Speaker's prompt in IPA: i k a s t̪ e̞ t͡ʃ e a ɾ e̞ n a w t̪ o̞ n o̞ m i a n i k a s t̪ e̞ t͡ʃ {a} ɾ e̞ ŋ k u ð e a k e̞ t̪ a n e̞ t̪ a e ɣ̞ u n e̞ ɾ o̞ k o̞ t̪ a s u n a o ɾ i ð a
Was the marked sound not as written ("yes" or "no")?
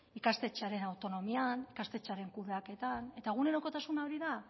no